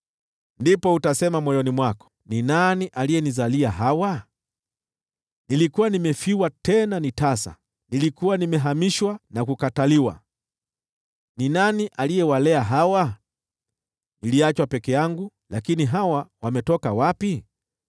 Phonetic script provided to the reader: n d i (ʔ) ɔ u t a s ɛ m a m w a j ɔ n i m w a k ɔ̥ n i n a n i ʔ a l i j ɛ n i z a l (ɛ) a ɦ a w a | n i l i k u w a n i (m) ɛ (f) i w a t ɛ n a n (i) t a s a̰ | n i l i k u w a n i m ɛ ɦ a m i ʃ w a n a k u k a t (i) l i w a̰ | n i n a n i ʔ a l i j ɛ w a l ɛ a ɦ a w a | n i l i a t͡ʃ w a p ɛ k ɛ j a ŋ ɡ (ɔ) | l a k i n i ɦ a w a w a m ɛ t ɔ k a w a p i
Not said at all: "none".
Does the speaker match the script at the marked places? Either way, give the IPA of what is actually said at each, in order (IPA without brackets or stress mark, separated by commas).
p, i, m, f, i, a, u